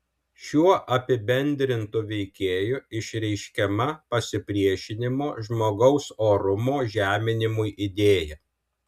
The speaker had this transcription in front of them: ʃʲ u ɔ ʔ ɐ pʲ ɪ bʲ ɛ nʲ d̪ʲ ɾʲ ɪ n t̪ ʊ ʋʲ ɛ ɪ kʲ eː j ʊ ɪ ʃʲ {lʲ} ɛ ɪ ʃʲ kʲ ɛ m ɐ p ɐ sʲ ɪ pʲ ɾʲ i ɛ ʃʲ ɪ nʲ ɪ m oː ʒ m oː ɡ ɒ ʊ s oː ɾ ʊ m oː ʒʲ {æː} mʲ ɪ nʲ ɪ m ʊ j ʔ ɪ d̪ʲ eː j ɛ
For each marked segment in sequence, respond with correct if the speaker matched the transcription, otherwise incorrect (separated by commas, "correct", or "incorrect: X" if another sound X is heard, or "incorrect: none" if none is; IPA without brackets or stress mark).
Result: incorrect: ɾʲ, correct